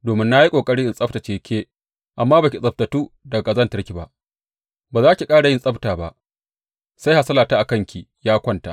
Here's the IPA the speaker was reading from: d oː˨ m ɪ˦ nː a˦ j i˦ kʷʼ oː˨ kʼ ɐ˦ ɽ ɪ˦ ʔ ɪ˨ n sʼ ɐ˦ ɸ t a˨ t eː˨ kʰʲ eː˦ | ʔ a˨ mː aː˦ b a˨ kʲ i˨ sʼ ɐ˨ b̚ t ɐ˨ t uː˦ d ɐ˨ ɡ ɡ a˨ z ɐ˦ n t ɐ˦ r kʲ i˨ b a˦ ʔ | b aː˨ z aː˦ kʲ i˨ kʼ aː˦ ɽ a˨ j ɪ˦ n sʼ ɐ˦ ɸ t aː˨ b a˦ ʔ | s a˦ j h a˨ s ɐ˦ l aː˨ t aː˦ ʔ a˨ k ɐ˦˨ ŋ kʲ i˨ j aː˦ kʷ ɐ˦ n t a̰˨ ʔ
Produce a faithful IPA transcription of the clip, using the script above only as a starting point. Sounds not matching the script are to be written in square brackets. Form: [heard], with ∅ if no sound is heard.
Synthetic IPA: d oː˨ m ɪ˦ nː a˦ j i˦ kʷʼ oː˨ kʼ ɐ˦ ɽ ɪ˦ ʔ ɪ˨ n sʼ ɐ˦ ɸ t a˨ [t͡ʃ] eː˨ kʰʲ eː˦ | ʔ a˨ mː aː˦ b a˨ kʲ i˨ sʼ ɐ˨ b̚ t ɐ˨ t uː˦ d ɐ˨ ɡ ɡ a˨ z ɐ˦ n t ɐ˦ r kʲ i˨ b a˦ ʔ | b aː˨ z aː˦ kʲ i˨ kʼ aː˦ ɽ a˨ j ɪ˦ n sʼ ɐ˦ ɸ t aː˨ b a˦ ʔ | s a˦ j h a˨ s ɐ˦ l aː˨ t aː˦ ʔ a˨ k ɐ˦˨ ŋ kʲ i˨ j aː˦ kʷ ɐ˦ n t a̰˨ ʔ